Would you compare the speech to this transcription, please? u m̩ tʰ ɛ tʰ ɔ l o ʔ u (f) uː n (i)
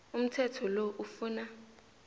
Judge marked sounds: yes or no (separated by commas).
yes, no